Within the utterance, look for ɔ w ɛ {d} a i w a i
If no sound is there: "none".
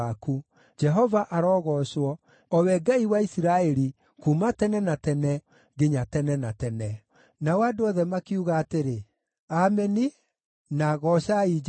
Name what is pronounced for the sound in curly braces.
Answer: ɡ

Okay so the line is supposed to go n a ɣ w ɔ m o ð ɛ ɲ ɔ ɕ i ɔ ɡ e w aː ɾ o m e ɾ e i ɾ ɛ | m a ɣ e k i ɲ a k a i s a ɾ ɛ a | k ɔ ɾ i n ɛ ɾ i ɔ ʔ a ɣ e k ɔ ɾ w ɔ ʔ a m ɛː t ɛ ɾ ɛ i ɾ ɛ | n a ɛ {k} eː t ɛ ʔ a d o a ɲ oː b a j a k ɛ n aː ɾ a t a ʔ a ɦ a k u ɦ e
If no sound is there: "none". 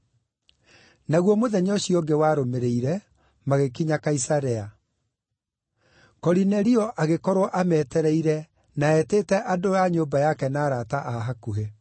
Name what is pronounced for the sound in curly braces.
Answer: t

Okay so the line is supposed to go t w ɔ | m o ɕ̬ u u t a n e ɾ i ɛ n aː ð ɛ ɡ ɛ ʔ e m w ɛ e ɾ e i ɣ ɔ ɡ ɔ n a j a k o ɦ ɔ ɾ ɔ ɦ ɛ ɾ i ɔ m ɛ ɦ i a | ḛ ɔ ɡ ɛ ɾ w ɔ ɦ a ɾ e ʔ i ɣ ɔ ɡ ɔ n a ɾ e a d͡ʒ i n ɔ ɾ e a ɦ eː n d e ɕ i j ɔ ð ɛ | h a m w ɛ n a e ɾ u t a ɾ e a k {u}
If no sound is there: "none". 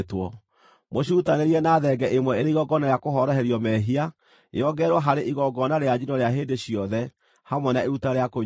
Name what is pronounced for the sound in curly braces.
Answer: o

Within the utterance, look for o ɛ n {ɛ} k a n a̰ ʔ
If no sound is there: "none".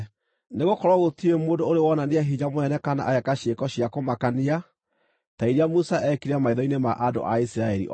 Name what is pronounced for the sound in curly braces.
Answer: ɛ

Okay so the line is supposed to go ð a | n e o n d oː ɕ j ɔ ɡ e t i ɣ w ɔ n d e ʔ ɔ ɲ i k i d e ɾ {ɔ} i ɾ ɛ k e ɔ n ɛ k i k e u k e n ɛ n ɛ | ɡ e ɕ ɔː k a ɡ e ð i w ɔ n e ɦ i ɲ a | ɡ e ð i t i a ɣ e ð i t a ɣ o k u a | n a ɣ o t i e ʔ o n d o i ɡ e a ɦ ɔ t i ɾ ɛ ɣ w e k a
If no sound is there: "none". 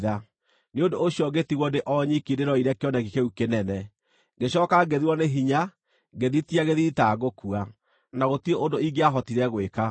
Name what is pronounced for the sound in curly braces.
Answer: ɔ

